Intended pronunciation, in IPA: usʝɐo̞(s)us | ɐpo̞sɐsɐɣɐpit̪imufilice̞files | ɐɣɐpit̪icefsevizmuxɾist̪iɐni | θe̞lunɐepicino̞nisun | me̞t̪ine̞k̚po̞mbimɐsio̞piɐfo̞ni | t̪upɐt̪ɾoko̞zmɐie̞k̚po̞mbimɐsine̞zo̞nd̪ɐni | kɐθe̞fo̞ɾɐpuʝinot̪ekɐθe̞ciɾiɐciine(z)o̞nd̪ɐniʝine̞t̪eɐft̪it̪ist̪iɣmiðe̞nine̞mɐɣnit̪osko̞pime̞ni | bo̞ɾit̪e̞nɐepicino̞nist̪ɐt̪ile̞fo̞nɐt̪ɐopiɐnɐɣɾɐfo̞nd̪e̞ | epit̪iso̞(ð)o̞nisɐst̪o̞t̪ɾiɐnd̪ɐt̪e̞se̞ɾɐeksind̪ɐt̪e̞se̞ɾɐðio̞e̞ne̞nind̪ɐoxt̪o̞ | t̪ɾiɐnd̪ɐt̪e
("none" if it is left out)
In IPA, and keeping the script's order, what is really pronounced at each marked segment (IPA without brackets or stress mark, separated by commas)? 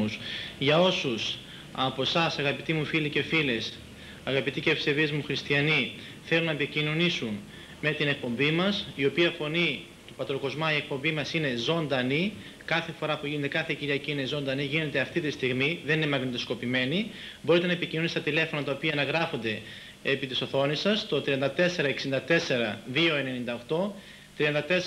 s, z, θ